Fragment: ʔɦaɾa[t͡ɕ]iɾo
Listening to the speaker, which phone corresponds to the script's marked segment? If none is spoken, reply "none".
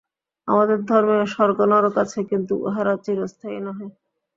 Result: t͡ɕ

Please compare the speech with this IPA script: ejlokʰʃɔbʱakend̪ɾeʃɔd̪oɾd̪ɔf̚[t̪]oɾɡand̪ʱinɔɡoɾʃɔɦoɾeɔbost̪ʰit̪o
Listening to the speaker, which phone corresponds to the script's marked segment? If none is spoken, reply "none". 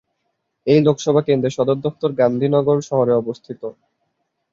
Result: t̪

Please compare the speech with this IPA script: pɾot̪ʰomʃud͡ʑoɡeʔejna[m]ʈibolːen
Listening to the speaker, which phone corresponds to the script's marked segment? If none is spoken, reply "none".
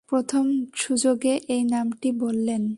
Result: m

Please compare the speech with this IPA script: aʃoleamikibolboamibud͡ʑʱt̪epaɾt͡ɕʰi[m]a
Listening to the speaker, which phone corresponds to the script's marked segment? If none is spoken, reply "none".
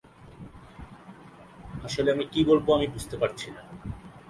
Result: n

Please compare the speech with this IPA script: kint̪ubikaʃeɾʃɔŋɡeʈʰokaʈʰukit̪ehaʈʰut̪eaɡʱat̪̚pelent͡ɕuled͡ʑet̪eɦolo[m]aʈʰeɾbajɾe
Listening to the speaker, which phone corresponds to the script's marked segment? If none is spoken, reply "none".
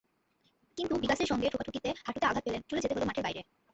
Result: m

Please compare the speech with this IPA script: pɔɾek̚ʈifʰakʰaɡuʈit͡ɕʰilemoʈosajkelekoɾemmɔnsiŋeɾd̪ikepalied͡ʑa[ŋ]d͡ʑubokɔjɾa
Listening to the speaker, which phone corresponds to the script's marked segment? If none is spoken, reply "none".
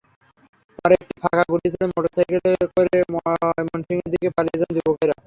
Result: n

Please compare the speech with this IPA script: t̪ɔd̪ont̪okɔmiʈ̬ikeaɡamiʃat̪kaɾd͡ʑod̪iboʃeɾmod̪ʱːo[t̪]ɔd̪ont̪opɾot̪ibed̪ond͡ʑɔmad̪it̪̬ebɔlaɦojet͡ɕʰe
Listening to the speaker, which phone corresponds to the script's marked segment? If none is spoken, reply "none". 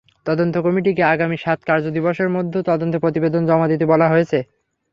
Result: t̪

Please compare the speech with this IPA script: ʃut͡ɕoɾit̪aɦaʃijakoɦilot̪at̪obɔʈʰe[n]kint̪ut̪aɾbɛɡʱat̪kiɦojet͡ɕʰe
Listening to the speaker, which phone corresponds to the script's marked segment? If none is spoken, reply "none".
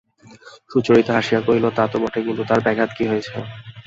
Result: none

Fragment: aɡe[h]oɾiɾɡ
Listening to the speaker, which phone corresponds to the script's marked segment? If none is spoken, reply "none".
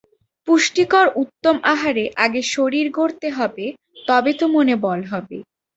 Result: ʃ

